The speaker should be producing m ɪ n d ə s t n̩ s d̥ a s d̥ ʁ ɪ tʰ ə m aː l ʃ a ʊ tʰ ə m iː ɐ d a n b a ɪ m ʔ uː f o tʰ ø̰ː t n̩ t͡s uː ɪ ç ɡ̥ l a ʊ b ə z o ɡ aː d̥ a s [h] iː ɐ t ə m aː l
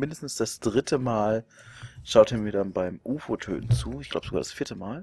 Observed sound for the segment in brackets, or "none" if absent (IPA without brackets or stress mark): f